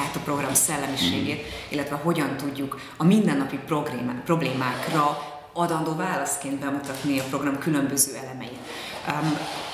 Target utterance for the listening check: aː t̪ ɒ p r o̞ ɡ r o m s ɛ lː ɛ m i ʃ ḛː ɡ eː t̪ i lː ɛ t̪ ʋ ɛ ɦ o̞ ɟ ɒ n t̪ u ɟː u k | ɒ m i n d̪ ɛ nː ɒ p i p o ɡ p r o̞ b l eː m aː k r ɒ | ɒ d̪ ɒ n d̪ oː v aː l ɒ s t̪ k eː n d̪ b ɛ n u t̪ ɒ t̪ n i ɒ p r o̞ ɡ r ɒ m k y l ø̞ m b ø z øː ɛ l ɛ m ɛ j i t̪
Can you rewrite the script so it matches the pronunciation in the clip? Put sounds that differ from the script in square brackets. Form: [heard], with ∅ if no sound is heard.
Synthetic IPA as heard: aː t̪ ɒ p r o̞ ɡ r [ɒ] m s ɛ lː ɛ m i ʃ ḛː ɡ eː t̪ i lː ɛ t̪ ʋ ɛ ɦ o̞ ɟ ɒ n t̪ u ɟː u k | ɒ m i n d̪ ɛ nː ɒ p i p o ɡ p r o̞ b l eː m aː k r ɒ | ɒ d̪ ɒ n d̪ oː v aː l ɒ s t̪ k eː n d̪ b ɛ [m] u t̪ ɒ t̪ n i ɒ p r o̞ ɡ r ɒ m k y l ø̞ m b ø z øː ɛ l ɛ m ɛ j i t̪